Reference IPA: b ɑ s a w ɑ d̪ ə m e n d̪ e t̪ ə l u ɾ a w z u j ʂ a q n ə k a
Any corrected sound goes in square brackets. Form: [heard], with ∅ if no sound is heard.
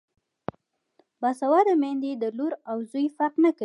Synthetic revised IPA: b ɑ s a w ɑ d̪ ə m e n d̪ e [d̪] ə l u ɾ a w z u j [f] a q n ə k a